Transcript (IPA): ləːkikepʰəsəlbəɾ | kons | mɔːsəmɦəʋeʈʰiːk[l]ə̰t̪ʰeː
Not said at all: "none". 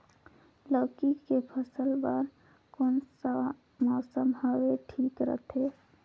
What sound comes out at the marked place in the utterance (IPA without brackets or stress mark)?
ɾ